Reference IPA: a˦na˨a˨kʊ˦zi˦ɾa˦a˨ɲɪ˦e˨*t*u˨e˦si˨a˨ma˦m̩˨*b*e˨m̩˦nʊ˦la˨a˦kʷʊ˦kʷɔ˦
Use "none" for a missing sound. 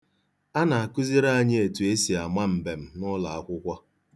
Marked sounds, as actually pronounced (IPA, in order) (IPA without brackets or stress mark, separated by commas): t, b